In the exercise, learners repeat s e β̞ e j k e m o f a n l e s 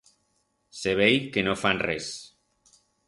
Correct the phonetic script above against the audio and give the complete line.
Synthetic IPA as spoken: s e β̞ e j k e n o f a n r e s